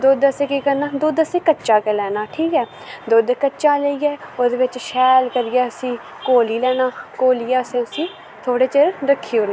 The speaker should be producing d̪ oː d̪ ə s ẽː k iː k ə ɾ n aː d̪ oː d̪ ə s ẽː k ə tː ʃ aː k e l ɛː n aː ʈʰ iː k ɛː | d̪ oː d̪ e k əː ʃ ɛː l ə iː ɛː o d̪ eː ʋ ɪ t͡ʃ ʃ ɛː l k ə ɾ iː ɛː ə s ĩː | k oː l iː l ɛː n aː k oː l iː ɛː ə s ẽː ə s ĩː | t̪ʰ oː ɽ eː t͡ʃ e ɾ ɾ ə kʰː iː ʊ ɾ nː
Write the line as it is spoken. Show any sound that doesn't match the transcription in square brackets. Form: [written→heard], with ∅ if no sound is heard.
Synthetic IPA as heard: d̪ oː d̪ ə s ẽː k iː k ə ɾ n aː d̪ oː d̪ ə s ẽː k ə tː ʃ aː k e l ɛː n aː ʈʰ iː k ɛː | d̪ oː d̪ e k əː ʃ [ɛː→aː] l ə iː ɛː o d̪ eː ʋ ɪ t͡ʃ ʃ ɛː l k ə ɾ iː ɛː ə s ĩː | k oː l iː l ɛː n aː k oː l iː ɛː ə s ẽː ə s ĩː | t̪ʰ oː ɽ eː t͡ʃ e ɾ ɾ ə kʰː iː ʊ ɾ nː